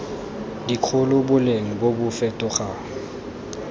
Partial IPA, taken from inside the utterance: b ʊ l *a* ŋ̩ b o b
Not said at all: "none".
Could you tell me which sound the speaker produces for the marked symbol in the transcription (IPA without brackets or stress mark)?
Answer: e